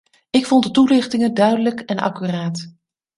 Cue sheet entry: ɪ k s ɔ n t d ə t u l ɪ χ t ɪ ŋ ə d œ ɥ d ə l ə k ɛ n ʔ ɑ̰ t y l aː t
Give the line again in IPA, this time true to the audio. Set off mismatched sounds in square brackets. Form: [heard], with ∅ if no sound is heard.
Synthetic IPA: ɪ k [f] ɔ n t d ə t u l ɪ χ t ɪ ŋ ə d œ ɥ d ə l ə k ɛ n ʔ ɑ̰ [k] y [r] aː t

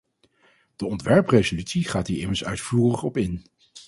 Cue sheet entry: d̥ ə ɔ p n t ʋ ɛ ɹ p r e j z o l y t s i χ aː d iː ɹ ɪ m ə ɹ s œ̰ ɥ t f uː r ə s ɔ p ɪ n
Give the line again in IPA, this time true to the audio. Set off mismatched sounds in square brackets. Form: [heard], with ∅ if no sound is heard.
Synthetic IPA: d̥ ə ɔ [∅] n t ʋ ɛ ɹ p r e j z o l y t s i χ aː [t] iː ɹ ɪ m ə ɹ s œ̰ ɥ t f uː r ə [χ] ɔ p ɪ n

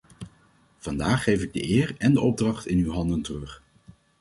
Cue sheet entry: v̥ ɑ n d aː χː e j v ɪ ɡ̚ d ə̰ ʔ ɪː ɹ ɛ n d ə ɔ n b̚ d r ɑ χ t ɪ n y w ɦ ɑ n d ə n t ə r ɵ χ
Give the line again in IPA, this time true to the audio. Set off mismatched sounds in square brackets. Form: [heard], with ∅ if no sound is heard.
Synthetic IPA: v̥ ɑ n d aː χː e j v ɪ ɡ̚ d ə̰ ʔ ɪː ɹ ɛ n d ə ɔ [∅] b̚ d r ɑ χ t ɪ n y w ɦ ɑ n d ə n t ə r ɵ χ

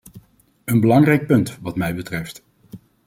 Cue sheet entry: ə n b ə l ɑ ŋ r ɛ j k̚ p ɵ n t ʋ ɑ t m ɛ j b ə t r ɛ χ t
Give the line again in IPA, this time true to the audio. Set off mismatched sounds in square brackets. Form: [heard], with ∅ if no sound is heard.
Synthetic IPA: ə n b ə l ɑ ŋ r ɛ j k̚ p ɵ n t ʋ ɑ t m ɛ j b ə t r ɛ [f] t

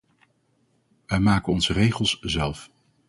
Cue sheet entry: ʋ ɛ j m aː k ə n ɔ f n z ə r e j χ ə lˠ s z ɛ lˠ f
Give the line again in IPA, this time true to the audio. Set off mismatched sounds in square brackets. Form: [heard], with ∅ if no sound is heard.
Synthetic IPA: ʋ ɛ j m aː k ə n ɔ [∅] n z ə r e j χ ə lˠ s z ɛ lˠ f

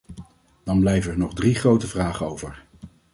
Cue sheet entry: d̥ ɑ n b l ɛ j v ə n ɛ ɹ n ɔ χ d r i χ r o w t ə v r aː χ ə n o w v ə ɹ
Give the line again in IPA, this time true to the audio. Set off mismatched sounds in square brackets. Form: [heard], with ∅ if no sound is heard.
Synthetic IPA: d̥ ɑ n b l ɛ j v ə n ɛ ɹ n ɔ χ d r i χ r o w t ə v r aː χ ə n o w v ə ɹ

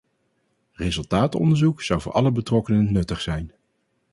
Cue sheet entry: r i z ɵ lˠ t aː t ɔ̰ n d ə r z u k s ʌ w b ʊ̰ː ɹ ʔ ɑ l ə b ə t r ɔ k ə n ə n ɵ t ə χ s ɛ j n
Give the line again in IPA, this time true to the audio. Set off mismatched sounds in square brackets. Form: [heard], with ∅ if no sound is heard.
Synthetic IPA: r [e] z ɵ lˠ t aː t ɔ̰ n d ə [ɹ] z u k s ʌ w [v] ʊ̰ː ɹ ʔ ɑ l ə b ə t r ɔ k ə n ə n ɵ t ə χ s ɛ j n

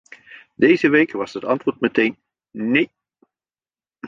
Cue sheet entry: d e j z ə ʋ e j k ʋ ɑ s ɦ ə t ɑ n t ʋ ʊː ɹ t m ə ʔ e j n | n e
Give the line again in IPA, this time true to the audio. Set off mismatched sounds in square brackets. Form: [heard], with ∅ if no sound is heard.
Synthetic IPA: d e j z ə ʋ e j k ʋ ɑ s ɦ ə t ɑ n t ʋ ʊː ɹ t m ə [t] e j n | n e

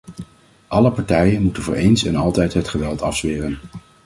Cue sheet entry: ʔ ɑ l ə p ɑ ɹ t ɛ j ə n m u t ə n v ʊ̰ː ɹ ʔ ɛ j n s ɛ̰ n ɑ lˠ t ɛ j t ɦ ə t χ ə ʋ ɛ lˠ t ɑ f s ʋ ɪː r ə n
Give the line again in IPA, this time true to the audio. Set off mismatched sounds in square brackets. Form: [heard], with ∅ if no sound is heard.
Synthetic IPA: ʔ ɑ l ə p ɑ ɹ t ɛ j ə n m u t ə n v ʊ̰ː ɹ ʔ [e] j n s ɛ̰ n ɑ lˠ t ɛ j t ɦ ə t χ ə ʋ ɛ lˠ t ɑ f s ʋ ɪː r ə n

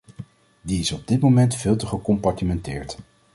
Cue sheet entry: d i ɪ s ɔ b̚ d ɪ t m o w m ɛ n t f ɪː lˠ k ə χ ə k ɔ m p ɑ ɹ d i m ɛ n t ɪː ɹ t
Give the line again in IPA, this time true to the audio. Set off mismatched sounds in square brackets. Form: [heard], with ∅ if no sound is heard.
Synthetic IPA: d i ɪ s ɔ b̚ d ɪ t m o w m ɛ n t f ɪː lˠ [t] ə χ ə k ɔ m p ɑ ɹ [t] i m ɛ n t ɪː ɹ t

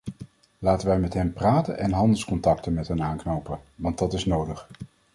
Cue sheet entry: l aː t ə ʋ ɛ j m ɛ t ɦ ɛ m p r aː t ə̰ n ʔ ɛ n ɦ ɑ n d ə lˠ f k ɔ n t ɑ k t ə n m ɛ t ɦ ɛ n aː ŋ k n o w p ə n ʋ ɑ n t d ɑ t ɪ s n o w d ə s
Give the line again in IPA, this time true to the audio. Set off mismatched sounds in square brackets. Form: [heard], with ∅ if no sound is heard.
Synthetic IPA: l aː t ə ʋ ɛ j m ɛ t ɦ ɛ m p r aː t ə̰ n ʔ ɛ n ɦ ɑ n d ə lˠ [s] k ɔ n t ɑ k t ə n m ɛ t ɦ ɛ n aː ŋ k n o w p ə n ʋ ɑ n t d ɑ t ɪ s n o w d ə [χ]

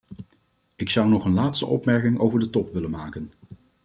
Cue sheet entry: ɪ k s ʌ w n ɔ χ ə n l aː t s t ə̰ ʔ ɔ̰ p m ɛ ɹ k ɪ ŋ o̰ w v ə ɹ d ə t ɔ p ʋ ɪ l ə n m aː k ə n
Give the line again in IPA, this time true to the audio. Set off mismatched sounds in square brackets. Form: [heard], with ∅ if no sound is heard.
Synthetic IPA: ɪ k s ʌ w n ɔ χ ə n l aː t s t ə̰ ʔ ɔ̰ p m ɛ ɹ k ɪ ŋ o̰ w v ə ɹ d ə t ɔ p ʋ ɪ l ə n m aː k ə n

